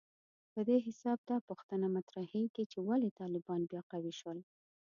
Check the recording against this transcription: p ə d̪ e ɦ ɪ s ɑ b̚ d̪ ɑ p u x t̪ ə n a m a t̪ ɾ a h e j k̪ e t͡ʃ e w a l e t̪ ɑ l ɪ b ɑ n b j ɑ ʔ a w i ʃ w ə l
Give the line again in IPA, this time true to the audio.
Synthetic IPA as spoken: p ə d̪ e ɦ ɪ s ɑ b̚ d̪ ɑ p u x t̪ ə n a m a t̪ ɾ a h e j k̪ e t͡ʃ e w a l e t̪ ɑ l ɪ b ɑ n b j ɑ q a w i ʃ w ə l